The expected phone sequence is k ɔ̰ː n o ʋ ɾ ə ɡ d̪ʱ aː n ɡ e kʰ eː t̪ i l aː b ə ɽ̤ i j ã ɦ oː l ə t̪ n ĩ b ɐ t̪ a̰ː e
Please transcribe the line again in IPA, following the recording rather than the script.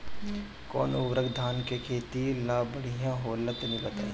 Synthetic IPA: k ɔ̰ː n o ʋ ɾ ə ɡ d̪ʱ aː n k e kʰ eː t̪ i l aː b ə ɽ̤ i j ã ɦ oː l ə t̪ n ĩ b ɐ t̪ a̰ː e